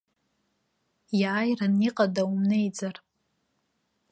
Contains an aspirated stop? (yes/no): no